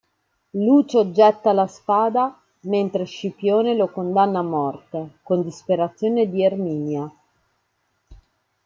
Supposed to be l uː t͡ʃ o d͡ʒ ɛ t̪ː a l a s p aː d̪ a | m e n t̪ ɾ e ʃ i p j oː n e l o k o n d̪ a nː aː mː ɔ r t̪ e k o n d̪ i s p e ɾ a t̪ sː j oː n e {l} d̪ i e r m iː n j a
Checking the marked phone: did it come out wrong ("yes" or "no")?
yes